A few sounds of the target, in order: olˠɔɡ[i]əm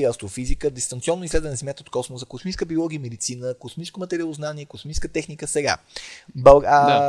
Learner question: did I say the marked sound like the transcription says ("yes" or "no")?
yes